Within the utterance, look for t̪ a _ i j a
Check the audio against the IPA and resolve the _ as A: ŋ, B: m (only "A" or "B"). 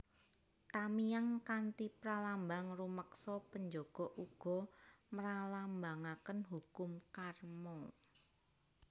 B